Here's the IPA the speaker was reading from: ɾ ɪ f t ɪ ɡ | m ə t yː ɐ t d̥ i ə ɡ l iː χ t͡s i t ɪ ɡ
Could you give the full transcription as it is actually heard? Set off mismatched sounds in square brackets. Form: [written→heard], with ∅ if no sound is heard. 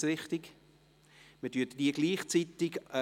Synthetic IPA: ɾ ɪ [f→χ] t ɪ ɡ | m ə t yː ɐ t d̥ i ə ɡ l iː χ t͡s i t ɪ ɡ